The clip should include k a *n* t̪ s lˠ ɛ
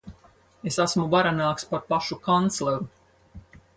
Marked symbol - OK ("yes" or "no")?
yes